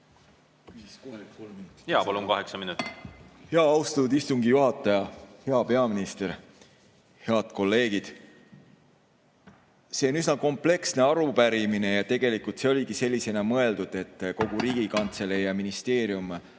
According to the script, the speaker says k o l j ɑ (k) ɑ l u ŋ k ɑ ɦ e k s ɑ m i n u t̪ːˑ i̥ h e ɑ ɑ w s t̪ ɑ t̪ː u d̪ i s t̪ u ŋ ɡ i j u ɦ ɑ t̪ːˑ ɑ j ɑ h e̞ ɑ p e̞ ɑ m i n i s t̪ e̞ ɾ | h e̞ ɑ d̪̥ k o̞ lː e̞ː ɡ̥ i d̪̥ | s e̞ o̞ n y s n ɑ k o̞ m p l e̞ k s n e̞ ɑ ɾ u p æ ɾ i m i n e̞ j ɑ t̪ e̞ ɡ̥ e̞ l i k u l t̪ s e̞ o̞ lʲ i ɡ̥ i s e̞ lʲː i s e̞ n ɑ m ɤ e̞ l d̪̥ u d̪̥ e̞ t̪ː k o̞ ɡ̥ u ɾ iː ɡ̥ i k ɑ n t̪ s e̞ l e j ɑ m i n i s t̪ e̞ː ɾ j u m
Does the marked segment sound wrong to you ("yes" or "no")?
yes